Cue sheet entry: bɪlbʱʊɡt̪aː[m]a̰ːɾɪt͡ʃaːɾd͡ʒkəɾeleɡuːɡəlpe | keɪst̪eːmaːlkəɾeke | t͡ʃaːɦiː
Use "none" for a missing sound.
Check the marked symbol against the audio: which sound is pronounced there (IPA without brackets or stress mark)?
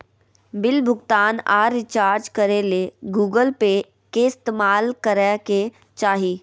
n